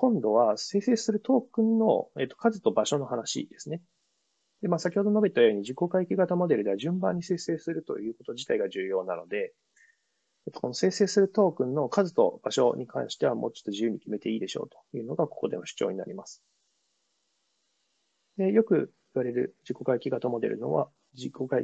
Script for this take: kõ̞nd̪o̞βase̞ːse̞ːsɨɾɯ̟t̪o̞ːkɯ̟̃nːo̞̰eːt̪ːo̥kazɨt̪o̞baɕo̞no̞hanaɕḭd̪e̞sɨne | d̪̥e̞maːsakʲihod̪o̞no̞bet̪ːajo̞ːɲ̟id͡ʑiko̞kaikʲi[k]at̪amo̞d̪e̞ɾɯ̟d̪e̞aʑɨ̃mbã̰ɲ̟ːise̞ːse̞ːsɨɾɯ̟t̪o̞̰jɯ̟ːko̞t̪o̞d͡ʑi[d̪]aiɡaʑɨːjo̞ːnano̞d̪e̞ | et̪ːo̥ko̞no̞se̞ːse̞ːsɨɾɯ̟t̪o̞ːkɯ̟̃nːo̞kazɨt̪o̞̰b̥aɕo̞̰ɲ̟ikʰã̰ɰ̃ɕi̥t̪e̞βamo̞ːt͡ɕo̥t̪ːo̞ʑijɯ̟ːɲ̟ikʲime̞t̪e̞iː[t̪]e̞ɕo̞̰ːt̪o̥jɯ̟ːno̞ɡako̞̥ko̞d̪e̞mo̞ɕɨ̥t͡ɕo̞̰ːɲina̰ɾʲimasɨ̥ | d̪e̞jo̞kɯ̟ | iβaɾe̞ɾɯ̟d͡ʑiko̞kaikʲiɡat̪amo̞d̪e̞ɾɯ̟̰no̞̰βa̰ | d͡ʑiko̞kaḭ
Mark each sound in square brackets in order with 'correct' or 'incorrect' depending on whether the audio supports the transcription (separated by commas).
incorrect, incorrect, incorrect